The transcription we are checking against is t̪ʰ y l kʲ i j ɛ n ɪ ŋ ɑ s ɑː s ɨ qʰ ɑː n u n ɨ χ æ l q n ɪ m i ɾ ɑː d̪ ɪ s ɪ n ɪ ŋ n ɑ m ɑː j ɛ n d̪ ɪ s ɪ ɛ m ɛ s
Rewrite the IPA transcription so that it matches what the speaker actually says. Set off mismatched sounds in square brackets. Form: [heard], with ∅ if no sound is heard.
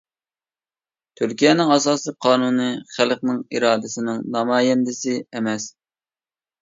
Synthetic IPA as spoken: t̪ʰ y [ɾ] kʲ i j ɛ n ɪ ŋ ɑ s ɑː s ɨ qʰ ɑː n u n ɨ χ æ l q n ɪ [ŋ] i ɾ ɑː d̪ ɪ s ɪ n ɪ ŋ n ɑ m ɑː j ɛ n d̪ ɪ s ɪ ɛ m ɛ s

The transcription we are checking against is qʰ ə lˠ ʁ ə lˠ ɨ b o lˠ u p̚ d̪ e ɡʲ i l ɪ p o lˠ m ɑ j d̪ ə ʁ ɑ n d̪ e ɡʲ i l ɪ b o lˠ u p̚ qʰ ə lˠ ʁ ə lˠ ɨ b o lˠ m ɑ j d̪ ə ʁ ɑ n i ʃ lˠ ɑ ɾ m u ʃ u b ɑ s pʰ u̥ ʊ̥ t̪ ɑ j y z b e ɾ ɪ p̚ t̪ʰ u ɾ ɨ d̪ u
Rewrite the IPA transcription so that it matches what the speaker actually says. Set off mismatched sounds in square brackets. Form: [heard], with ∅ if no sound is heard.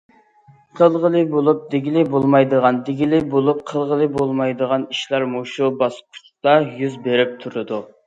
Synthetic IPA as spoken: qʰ ə lˠ ʁ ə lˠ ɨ b o lˠ u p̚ d̪ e ɡʲ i l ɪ [b] o lˠ m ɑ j d̪ ə ʁ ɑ n d̪ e ɡʲ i l ɪ b o lˠ u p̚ qʰ ə lˠ ʁ ə lˠ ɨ b o lˠ m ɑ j d̪ ə ʁ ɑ n i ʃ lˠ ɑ ɾ m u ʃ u b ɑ s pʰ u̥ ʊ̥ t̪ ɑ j y z b e ɾ ɪ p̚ t̪ʰ u ɾ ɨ d̪ u

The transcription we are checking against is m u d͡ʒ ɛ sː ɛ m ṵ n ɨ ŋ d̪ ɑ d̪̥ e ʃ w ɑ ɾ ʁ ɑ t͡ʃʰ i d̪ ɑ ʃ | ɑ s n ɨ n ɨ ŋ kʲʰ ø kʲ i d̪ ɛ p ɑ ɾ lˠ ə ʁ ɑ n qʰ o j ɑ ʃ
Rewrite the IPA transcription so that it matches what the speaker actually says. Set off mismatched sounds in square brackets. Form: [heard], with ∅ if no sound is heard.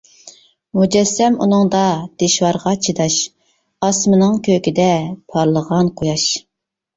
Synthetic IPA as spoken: m u d͡ʒ ɛ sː ɛ m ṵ n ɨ ŋ d̪ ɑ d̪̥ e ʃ w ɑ ɾ ʁ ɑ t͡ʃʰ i d̪ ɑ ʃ | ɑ s [m] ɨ n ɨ ŋ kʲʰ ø kʲ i d̪ ɛ [pʰ] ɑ ɾ lˠ ə ʁ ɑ n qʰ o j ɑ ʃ

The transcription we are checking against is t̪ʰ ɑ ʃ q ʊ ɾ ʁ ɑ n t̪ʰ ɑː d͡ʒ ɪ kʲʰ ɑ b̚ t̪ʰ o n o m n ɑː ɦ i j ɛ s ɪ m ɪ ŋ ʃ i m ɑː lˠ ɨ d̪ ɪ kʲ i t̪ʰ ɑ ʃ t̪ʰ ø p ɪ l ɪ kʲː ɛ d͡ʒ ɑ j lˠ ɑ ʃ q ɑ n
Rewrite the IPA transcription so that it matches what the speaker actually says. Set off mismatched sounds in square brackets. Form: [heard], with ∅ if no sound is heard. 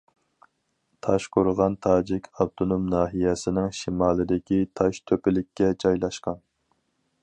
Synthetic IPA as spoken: t̪ʰ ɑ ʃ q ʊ ɾ ʁ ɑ n t̪ʰ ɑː d͡ʒ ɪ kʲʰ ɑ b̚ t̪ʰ o n o m n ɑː ɦ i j ɛ s ɪ [n] ɪ ŋ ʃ i m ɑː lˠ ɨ d̪ ɪ kʲ i t̪ʰ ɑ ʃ t̪ʰ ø p ɪ l ɪ kʲː ɛ d͡ʒ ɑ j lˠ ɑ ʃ q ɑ n

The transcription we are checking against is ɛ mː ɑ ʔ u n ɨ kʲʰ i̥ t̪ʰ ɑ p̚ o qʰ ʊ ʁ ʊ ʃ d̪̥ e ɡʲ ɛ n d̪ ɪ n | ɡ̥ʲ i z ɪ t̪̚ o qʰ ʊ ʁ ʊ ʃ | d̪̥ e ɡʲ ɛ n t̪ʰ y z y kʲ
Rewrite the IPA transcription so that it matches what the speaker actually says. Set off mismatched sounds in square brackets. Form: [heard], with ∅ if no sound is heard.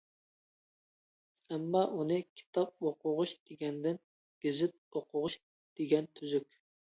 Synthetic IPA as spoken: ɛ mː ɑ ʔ u n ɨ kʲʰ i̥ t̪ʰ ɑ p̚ o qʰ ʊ ʁ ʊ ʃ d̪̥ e ɡʲ ɛ n d̪ ɪ n | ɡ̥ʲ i z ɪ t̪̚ o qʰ ʊ ʁ ʊ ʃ | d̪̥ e ɡʲ ɛ n t̪ʰ y z y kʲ

